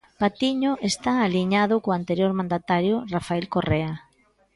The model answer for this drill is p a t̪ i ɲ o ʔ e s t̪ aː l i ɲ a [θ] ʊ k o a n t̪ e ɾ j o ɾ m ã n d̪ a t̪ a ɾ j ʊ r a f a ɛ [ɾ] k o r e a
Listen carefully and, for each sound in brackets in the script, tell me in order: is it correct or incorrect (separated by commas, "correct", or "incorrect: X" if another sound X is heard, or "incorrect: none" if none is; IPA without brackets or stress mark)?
incorrect: ð, incorrect: l